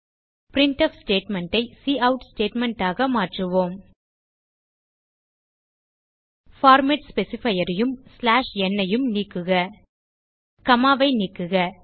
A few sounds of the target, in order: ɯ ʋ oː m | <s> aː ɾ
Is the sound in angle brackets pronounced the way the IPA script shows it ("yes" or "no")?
no